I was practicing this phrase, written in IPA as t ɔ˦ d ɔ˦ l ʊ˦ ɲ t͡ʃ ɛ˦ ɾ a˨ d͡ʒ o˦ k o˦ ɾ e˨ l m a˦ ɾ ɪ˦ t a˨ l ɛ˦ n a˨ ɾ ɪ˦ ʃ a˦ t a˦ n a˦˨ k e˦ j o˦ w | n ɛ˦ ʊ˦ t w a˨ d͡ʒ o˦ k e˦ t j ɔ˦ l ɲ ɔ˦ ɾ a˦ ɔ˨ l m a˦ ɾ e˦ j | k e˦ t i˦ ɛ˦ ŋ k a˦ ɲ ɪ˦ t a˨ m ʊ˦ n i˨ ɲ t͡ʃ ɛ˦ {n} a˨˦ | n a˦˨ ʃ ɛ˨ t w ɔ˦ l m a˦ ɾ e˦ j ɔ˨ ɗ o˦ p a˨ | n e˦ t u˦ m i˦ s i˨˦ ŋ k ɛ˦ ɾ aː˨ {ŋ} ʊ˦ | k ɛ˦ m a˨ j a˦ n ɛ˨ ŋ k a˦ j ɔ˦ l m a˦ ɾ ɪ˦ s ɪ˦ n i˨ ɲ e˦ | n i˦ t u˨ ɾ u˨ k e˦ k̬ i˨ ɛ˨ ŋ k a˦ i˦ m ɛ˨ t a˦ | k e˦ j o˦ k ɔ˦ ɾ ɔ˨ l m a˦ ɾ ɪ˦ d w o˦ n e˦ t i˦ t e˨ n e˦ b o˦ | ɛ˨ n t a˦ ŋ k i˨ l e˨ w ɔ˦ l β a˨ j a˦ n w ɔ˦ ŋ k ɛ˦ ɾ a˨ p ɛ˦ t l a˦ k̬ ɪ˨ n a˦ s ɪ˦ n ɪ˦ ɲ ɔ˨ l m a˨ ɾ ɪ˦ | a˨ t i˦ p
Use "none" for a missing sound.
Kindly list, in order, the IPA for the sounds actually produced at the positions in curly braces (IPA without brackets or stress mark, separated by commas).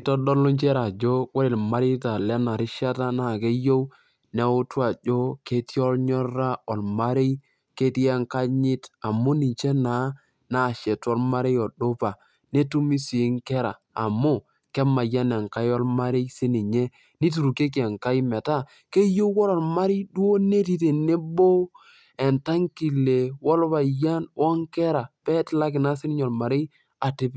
n, m